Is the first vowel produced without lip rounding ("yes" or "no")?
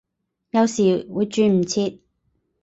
yes